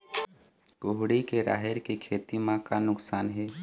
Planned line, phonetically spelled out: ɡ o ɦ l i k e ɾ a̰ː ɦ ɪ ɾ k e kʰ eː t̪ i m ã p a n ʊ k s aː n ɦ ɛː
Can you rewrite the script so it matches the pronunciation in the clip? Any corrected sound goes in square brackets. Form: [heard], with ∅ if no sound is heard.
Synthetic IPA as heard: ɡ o ɦ [ɽ] i k e ɾ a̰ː ɦ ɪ ɾ k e kʰ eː t̪ i m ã [k] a n ʊ k s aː n ɦ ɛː

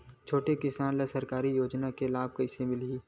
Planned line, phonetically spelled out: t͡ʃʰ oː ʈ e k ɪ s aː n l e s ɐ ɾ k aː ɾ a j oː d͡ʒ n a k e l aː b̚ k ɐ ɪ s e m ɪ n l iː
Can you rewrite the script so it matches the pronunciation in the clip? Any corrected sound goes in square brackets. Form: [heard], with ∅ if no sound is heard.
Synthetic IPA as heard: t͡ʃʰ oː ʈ e k ɪ s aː n l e s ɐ ɾ k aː ɾ [i] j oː d͡ʒ n a k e l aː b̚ k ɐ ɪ s e m ɪ [∅] l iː

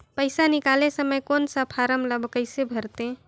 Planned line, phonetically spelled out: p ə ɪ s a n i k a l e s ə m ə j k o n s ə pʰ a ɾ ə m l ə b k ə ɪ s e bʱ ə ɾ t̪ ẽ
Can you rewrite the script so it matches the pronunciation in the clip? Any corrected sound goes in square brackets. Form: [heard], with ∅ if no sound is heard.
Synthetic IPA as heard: p ə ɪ s a n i k a l e s ə m ə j k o n s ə pʰ a ɾ ə m l ə b k ə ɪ s e bʱ ə ɾ t̪ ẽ

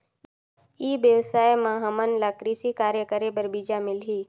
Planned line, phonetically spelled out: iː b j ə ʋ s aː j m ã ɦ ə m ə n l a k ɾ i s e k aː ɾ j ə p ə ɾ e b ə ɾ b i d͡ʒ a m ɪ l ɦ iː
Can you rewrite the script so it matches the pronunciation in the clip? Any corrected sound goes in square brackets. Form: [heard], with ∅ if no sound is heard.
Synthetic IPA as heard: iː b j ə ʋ s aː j m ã ɦ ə m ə n l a k ɾ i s [i] k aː ɾ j ə [k] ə ɾ e b ə ɾ b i d͡ʒ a m ɪ l ɦ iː

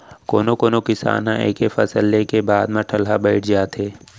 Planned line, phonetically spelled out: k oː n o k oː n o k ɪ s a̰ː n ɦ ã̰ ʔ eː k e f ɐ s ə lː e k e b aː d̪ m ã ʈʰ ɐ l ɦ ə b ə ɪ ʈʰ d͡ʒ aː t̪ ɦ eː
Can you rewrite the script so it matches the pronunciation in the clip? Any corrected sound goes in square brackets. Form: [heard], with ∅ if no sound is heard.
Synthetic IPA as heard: k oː n o k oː n o k ɪ s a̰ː n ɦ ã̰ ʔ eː k e f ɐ s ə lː e k e b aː d̪ m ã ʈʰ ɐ l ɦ [a] b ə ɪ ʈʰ d͡ʒ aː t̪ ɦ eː

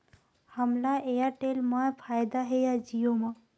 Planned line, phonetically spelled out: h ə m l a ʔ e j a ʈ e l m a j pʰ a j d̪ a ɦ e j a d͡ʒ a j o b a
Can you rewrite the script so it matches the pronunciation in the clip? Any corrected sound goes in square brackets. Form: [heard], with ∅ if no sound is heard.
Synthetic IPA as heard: h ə m l a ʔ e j a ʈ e l m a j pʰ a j d̪ a ɦ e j a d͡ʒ [i] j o [m] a

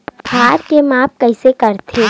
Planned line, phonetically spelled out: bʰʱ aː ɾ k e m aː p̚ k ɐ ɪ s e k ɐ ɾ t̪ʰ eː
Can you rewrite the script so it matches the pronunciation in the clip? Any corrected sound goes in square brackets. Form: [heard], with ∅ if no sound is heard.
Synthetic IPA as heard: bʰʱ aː ɾ k e m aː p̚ k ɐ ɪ s e k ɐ ɾ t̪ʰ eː

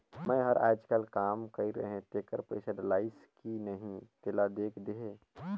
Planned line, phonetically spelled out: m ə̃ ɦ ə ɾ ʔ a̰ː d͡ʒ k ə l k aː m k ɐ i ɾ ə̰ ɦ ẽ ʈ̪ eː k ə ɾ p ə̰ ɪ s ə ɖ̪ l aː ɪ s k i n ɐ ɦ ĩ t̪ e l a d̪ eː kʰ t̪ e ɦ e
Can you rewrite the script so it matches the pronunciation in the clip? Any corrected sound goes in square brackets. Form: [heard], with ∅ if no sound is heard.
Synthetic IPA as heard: m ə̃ ɦ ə ɾ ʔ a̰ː d͡ʒ k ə l k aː m k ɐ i ɾ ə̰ ɦ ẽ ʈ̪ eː k ə ɾ p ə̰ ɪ s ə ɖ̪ l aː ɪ s k i n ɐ ɦ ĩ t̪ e l a d̪ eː kʰ [d̪] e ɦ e

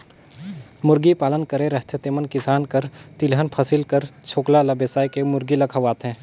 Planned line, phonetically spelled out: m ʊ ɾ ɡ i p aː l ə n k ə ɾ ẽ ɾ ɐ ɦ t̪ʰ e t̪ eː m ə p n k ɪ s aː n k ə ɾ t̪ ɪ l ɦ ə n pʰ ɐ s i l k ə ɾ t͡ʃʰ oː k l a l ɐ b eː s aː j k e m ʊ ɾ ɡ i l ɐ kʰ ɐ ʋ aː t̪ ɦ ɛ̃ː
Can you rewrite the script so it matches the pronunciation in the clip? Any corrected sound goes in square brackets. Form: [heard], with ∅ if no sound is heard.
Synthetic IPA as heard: m ʊ ɾ ɡ i p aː l ə n k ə ɾ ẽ ɾ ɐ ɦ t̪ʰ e t̪ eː m ə [∅] n k ɪ s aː n k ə ɾ t̪ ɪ l ɦ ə n pʰ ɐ s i l k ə ɾ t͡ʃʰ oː k l a l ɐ b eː s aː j k e m ʊ ɾ ɡ i l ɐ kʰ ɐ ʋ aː t̪ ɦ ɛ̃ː

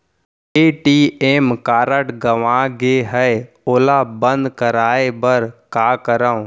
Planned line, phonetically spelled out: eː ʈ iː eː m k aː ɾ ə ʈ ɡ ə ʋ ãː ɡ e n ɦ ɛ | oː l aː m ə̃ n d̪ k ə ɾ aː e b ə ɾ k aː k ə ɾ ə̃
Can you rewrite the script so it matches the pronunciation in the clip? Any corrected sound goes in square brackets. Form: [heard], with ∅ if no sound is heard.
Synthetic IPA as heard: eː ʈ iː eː m k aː ɾ ə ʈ ɡ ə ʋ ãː ɡ e [∅] ɦ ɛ | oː l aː [b] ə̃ n d̪ k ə ɾ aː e b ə ɾ k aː k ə ɾ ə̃

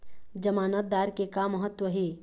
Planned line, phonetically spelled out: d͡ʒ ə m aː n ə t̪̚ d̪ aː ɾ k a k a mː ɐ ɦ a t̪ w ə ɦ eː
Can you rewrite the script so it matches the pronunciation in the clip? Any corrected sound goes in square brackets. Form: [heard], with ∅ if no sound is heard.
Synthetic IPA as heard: d͡ʒ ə m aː n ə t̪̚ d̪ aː ɾ k [e] k a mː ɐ ɦ [ə] t̪ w ə ɦ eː

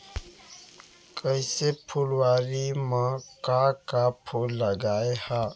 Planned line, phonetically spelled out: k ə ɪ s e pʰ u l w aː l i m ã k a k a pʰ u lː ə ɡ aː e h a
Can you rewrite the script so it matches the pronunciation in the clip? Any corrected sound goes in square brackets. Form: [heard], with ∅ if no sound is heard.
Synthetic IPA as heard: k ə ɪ s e pʰ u l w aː [ɾ] i m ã k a k a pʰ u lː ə ɡ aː e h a

